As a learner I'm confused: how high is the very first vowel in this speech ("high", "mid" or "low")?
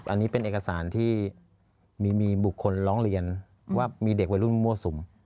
low